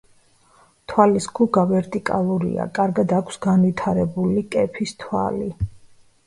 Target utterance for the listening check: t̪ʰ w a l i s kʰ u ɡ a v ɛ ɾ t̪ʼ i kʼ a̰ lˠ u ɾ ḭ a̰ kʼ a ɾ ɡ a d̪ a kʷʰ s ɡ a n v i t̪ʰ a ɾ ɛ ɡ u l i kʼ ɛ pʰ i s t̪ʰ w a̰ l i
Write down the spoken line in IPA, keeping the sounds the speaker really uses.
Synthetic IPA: t̪ʰ w a l i s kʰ u ɡ a v ɛ ɾ t̪ʼ i kʼ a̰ lˠ u ɾ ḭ a̰ kʼ a ɾ ɡ a d̪ a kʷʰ s ɡ a n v i t̪ʰ a ɾ ɛ b u l i kʼ ɛ pʰ i s t̪ʰ w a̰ l i